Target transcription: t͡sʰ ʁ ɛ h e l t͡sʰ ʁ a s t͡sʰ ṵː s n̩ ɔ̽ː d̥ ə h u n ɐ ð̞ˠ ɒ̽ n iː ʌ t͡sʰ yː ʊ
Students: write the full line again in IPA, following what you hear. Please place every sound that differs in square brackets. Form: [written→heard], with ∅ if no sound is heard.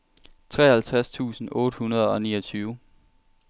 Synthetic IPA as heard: t͡sʰ ʁ ɛ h [e→æ] l t͡sʰ ʁ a s t͡sʰ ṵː s n̩ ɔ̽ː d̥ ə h u n ɐ ð̞ˠ ɒ̽ n iː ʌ t͡sʰ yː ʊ